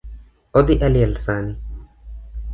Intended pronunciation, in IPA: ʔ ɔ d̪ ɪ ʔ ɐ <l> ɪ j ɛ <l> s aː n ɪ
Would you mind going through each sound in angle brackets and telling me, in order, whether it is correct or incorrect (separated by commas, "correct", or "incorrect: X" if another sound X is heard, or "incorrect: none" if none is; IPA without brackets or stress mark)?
correct, correct